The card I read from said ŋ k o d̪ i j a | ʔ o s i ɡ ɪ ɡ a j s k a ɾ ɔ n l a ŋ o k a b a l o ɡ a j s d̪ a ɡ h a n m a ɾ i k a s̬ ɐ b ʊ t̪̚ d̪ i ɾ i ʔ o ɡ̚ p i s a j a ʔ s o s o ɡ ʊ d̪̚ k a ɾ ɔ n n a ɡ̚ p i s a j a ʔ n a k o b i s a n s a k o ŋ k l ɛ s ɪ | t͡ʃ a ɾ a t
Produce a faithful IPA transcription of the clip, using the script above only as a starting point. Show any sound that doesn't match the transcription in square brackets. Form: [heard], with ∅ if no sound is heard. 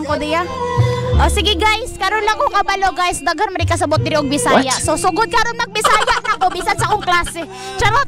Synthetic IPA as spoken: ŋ k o d̪ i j a | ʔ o s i ɡ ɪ ɡ a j s k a ɾ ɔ n l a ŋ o k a b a l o ɡ a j s d̪ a ɡ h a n m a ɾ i k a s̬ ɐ b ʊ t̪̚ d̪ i ɾ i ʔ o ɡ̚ [b] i s a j a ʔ s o s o ɡ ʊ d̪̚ k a ɾ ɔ n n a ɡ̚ [b] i s a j a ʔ n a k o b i s a n s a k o ŋ k l [a] s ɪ | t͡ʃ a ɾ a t